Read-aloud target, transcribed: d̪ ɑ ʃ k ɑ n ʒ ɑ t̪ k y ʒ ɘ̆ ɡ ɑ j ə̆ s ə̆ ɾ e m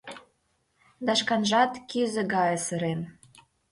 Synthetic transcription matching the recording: d̪ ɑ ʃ k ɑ n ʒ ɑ t̪ k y z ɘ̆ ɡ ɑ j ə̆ s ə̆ ɾ e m

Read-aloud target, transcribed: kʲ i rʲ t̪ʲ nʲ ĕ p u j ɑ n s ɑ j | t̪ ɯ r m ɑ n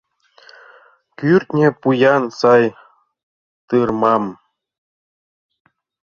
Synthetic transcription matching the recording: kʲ y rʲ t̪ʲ nʲ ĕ p u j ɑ n s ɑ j | t̪ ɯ r m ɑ m

